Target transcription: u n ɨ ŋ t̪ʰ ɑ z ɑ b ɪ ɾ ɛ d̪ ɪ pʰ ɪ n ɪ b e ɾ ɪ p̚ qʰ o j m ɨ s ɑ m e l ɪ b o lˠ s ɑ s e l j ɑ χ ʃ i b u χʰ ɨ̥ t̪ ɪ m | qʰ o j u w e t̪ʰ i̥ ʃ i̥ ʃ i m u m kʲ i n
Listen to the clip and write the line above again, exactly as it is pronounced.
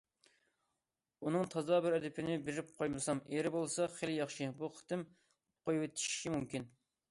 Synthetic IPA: u n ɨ ŋ t̪ʰ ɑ z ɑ b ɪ ɾ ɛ d̪ ɪ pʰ ɪ n ɪ b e ɾ ɪ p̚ qʰ o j m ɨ s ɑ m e ɾ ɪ b o lˠ s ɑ χ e l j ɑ χ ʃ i b u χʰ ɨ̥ t̪ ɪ m | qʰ o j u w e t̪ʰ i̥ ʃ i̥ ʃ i m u m kʲ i n